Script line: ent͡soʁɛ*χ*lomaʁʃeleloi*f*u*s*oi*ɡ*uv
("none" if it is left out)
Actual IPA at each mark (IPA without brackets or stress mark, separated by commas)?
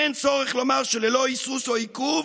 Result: χ, s, s, k